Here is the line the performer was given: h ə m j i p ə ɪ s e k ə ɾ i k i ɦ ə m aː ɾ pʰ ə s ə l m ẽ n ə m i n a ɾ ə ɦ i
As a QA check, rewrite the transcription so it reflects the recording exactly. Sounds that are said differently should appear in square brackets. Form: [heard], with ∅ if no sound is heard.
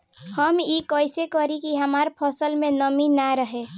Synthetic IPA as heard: h ə m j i [k] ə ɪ s e k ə ɾ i k i ɦ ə m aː ɾ pʰ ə s ə l m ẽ n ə m i n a ɾ ə ɦ [e]